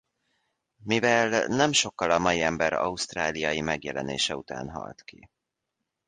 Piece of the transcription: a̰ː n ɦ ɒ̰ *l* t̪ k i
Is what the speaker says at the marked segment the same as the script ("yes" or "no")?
yes